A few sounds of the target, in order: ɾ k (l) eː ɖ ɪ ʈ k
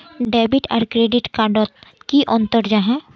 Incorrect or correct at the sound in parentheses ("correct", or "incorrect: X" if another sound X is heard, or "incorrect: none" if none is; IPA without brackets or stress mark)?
incorrect: ɾ